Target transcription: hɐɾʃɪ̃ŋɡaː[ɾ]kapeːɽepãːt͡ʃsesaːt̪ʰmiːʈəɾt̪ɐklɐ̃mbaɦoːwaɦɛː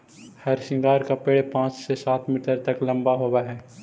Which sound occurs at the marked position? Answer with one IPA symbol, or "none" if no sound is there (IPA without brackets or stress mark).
ɾ